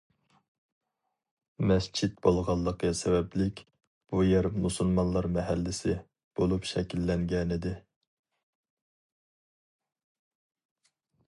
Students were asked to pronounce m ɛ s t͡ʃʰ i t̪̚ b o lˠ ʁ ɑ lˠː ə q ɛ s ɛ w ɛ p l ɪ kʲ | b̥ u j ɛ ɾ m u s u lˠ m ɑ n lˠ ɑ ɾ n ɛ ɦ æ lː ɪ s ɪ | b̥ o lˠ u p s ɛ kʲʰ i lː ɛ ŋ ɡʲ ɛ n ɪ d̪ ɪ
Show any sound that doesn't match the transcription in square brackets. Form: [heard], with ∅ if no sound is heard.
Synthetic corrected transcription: m ɛ s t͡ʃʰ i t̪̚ b o lˠ ʁ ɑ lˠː ə q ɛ s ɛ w ɛ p l ɪ kʲ | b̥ u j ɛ ɾ m u s u lˠ m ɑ n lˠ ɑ ɾ [m] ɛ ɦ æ lː ɪ s ɪ | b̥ o lˠ u p [ʃ] ɛ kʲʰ i lː ɛ ŋ ɡʲ ɛ n ɪ d̪ ɪ